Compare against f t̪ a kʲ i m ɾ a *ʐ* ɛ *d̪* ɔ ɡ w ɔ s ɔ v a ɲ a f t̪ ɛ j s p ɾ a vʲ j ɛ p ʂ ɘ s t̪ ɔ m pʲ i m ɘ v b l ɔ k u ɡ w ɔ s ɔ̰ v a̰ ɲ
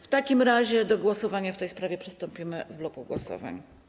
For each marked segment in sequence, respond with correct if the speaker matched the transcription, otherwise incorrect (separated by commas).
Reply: incorrect, correct